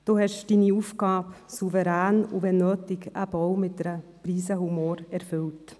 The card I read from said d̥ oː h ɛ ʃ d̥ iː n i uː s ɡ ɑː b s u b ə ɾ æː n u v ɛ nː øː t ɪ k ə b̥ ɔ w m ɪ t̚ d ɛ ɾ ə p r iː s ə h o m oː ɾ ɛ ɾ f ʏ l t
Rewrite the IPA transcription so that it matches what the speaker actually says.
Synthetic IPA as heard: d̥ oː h ɛ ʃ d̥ iː n i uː f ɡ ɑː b s u v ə ɾ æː n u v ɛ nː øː t ɪ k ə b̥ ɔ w m ɪ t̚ d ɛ ɾ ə p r iː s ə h u m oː ɾ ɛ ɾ f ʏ l t